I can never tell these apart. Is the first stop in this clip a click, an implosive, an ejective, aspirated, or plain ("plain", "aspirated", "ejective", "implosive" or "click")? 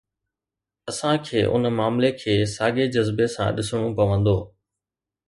aspirated